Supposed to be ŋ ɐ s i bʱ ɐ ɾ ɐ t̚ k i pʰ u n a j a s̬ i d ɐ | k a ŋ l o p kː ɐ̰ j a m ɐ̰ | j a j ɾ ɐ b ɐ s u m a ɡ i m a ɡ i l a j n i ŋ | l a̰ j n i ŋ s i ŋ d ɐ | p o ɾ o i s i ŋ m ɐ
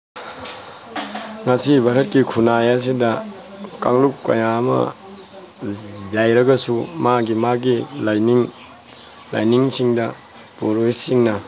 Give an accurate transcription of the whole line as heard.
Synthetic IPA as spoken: ŋ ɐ s i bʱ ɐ ɾ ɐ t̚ k i kʰ u n a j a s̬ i d ɐ | k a ŋ l u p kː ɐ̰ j a m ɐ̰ | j a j ɾ ɐ ɡ ɐ s u m a ɡ i m a ɡ i l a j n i ŋ | l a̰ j n i ŋ s i ŋ d ɐ | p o ɾ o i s i ŋ n ɐ